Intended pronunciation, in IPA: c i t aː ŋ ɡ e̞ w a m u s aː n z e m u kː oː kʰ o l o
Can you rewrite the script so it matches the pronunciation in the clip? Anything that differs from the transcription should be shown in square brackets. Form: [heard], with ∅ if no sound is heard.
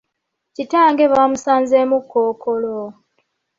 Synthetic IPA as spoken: c i t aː ŋ ɡ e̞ [β] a m u s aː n z e m u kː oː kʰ o l o